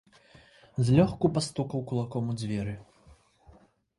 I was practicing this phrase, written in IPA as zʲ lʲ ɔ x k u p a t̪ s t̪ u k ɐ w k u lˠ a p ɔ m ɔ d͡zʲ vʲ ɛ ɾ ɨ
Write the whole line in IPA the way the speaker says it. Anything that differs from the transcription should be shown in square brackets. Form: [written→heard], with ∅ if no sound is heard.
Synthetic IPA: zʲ lʲ ɔ x k u p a [t̪→∅] s t̪ u k ɐ w k u lˠ a [p→k] ɔ m [ɔ→u] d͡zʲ vʲ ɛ ɾ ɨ